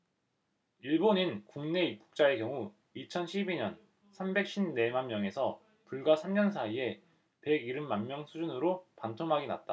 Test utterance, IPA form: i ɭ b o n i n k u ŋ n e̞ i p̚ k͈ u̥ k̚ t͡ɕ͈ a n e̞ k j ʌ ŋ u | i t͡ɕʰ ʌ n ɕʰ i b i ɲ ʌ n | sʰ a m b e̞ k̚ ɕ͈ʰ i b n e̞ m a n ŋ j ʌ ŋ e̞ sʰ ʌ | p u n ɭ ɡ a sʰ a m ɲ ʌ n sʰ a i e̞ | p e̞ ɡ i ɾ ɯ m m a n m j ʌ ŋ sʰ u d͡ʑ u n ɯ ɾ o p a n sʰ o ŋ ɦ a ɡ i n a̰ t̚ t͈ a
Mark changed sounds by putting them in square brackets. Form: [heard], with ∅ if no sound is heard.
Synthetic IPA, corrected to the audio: i ɭ b o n i n k u ŋ n e̞ i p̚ k͈ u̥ k̚ t͡ɕ͈ a [∅] e̞ k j ʌ ŋ u | i t͡ɕʰ ʌ n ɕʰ i b i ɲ ʌ n | sʰ a m b e̞ k̚ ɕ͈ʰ i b n e̞ m a n [m] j ʌ ŋ e̞ sʰ ʌ | p u [∅] ɭ ɡ a sʰ a m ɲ ʌ n sʰ a i e̞ | p e̞ ɡ i ɾ ɯ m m a n m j ʌ ŋ sʰ u d͡ʑ u n ɯ ɾ o p a n [tʰ] o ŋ ɦ a ɡ i n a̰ t̚ t͈ a